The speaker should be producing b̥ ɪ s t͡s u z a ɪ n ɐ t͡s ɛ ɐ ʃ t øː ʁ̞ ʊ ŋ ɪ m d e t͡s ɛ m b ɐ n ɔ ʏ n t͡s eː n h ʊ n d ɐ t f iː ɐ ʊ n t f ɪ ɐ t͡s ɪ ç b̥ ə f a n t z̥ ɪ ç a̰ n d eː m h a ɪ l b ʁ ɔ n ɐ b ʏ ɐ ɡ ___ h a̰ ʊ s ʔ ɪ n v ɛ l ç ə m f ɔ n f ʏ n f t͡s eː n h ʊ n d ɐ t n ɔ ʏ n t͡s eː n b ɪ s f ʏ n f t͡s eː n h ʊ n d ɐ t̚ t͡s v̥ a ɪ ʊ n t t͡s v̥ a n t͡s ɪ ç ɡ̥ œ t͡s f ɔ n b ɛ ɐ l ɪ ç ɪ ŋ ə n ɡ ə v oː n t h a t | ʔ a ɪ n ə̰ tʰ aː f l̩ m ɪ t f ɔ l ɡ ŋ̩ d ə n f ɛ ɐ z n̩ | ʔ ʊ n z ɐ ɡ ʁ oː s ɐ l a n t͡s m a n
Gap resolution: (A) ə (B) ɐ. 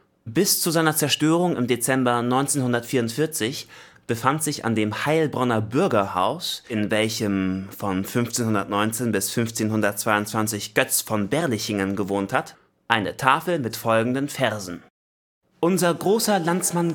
B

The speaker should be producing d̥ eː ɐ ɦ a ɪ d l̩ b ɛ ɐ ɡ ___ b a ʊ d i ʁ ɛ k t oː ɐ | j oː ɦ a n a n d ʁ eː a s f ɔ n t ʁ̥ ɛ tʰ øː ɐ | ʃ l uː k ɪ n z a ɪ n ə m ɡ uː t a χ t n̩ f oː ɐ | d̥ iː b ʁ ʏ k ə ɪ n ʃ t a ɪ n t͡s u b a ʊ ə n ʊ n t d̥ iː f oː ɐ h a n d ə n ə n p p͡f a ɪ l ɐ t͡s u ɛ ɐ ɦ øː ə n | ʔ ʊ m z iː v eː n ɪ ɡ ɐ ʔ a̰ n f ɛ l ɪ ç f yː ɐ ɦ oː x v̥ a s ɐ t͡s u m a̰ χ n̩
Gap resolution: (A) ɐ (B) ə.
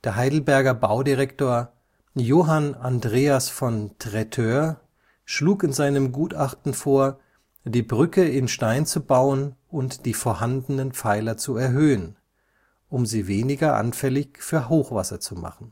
A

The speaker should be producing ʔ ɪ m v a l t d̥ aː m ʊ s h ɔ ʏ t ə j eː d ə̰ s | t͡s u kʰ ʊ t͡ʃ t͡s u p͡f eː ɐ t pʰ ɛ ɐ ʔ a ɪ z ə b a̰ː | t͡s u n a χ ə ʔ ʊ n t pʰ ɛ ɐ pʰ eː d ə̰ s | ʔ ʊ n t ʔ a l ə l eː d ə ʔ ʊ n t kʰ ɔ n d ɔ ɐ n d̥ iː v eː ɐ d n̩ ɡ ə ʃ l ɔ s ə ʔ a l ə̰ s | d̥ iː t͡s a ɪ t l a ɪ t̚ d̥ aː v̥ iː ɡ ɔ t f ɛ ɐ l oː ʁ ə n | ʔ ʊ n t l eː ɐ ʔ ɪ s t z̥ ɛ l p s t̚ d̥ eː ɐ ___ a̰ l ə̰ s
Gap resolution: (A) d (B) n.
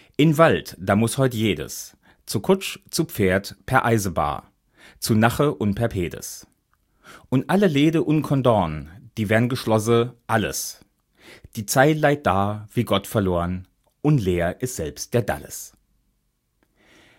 A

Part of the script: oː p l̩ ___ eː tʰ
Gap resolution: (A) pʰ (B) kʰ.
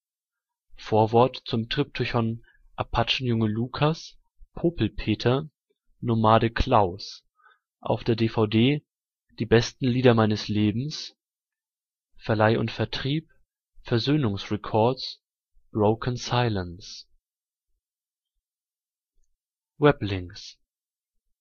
A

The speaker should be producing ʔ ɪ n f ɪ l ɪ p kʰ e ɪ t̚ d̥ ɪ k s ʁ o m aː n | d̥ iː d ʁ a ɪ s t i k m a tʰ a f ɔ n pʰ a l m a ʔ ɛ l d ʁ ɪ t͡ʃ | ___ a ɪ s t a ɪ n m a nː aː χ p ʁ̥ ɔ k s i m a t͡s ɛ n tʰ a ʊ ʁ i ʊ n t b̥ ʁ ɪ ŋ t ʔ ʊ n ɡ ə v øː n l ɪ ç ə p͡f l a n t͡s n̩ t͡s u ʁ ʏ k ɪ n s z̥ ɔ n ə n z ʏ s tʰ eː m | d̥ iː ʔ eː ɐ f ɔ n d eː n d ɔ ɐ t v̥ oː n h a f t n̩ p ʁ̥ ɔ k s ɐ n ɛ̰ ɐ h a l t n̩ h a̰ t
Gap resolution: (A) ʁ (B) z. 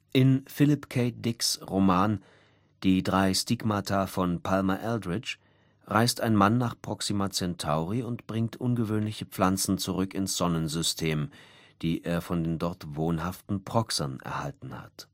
A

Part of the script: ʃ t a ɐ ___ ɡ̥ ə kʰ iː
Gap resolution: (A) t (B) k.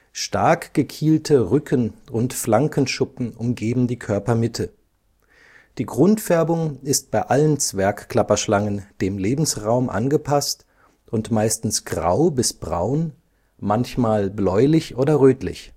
B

